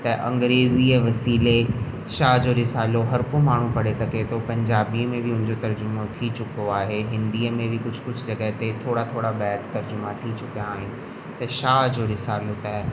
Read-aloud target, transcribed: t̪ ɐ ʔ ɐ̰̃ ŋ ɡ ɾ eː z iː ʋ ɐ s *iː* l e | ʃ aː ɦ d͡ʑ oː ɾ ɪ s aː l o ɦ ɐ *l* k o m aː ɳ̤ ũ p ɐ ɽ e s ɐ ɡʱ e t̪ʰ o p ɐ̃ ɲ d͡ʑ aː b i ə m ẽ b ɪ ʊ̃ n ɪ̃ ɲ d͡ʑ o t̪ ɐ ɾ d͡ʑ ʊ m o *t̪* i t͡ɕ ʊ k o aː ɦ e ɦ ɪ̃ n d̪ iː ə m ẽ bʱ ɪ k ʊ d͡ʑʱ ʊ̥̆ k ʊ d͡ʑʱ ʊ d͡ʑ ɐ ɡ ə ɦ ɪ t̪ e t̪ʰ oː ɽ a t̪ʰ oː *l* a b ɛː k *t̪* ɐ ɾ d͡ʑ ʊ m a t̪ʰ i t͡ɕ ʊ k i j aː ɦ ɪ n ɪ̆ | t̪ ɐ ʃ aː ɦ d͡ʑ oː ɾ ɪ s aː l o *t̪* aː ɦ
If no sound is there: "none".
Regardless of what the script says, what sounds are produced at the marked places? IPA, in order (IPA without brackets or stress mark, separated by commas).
iː, ɾ, t̪ʰ, ɽ, t̪, t̪